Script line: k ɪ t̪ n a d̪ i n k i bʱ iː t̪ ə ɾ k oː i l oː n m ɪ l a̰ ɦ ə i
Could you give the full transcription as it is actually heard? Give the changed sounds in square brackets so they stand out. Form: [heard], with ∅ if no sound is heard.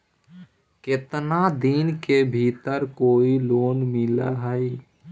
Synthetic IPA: k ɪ t̪ n a d̪ i n k [e] bʱ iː t̪ ə ɾ k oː i l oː n m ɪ l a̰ ɦ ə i